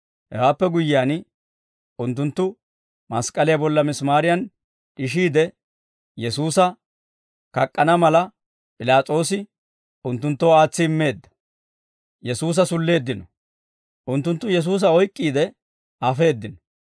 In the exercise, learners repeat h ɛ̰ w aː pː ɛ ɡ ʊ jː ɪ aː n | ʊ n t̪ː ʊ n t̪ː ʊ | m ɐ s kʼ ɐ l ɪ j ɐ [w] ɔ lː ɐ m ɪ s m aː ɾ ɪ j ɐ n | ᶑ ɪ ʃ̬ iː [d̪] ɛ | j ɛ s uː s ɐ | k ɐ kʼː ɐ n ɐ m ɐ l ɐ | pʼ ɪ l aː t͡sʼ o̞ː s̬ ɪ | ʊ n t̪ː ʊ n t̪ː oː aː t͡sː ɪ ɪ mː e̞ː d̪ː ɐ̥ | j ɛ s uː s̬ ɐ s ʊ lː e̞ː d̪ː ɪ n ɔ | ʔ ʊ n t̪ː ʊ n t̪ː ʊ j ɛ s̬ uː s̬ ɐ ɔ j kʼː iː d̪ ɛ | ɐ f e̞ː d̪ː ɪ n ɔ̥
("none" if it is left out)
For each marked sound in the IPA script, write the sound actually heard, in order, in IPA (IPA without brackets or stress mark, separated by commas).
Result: b, d̪